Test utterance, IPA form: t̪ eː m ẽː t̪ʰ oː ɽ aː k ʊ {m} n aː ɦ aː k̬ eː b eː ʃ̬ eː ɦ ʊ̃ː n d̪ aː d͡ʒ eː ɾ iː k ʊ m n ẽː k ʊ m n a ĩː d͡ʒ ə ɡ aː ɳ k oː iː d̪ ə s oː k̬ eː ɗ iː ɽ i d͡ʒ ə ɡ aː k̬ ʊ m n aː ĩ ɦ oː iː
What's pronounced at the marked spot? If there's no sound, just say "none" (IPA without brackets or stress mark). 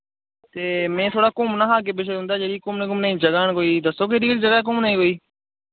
m